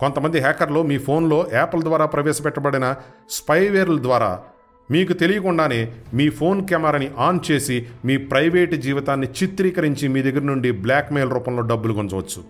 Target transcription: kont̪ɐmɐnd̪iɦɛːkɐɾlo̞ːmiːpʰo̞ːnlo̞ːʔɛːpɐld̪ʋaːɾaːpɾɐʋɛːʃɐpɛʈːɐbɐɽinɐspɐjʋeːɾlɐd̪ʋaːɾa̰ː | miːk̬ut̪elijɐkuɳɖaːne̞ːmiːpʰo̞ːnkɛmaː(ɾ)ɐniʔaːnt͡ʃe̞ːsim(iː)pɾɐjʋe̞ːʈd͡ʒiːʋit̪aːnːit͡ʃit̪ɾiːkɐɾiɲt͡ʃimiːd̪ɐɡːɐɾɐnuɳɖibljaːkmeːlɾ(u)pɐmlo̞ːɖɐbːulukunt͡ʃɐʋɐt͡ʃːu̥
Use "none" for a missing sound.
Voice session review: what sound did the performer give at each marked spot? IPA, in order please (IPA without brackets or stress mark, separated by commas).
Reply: ɾ, iː, uː